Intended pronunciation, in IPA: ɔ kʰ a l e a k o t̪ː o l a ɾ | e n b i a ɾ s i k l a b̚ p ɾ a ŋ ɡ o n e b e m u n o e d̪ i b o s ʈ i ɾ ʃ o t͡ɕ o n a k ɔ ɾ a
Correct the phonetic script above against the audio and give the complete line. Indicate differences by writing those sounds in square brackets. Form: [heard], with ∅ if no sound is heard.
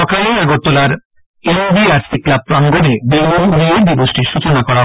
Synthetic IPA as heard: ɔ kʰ a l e a [ɡ] o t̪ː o l a ɾ | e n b i a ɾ s i k l a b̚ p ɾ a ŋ ɡ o n e b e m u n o e d̪ i b o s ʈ i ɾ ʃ [u] t͡ɕ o n a k ɔ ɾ a